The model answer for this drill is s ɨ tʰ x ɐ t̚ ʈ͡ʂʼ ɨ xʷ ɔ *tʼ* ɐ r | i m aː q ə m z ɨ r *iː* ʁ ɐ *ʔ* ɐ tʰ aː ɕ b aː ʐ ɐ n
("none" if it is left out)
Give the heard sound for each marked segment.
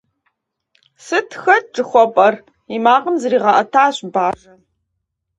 pʼ, iː, ʔ

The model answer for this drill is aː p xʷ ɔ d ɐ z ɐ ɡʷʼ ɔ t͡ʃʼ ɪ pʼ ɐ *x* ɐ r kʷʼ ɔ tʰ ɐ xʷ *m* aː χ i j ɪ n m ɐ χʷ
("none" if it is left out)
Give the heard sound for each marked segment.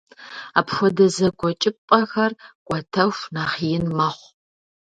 x, n

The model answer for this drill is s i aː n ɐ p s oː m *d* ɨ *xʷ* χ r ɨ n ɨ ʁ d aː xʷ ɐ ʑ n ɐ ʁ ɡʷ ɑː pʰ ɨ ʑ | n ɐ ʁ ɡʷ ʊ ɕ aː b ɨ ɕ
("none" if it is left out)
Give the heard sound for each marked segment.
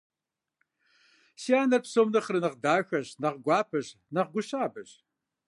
n, none

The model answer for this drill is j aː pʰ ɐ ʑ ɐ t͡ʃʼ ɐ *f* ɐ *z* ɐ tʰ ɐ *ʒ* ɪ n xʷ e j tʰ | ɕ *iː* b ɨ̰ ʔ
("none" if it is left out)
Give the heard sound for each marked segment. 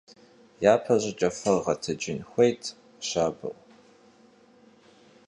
f, ʁ, d͡ʒ, aː

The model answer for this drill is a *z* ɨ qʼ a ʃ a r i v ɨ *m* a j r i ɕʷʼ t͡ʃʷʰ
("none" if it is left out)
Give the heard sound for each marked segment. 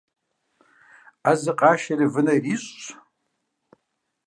z, n

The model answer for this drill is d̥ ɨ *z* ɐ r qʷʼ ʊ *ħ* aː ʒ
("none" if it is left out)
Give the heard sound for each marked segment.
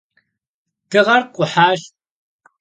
ʁ, ħ

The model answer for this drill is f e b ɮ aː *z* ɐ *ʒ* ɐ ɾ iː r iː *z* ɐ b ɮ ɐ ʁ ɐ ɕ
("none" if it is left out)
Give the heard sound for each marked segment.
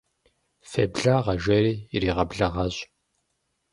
ʁ, ʒ, ʁ

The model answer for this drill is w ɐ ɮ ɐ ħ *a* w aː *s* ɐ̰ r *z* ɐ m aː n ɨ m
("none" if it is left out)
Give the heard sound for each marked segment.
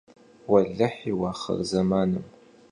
i, χ, z

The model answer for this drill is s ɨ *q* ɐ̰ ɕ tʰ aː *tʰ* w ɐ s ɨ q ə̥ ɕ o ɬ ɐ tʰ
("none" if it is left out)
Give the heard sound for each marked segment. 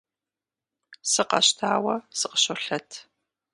q, none

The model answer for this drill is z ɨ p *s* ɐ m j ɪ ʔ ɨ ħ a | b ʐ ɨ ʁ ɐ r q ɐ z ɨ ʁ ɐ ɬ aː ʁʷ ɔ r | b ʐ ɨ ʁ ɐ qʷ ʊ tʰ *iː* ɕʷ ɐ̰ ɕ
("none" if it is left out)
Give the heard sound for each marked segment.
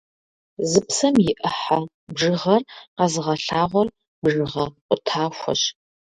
s, aː

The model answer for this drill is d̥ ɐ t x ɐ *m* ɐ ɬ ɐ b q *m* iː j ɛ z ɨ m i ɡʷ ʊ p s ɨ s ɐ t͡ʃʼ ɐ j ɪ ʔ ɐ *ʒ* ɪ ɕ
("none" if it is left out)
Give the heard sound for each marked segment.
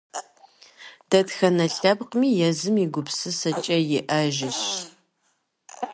n, m, ʒ

